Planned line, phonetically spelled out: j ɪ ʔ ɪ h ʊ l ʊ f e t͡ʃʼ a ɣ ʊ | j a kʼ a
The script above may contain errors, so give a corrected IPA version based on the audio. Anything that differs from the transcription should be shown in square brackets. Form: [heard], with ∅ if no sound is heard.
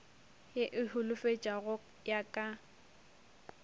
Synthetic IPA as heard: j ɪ ʔ ɪ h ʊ l ʊ f e t͡ʃʼ a ɣ ʊ | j a kʼ a